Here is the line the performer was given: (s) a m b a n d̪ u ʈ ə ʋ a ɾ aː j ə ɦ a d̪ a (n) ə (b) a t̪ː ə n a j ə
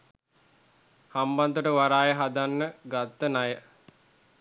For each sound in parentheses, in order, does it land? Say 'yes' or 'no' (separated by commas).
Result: no, no, no